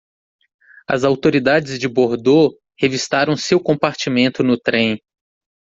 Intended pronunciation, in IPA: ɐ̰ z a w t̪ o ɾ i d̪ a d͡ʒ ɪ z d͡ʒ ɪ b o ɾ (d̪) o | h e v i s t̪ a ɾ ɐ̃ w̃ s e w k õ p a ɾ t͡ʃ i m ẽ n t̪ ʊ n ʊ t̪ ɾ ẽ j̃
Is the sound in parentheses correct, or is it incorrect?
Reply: correct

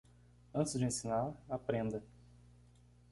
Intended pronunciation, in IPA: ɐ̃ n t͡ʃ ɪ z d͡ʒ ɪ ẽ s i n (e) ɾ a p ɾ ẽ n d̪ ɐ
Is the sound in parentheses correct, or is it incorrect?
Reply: incorrect: a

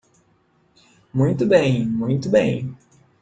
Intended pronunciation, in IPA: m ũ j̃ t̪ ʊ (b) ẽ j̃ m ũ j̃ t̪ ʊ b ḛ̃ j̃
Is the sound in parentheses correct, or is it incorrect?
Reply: correct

